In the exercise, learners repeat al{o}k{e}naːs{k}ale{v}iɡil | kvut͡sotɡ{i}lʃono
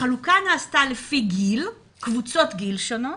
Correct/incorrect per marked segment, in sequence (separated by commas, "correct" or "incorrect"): incorrect, incorrect, incorrect, incorrect, correct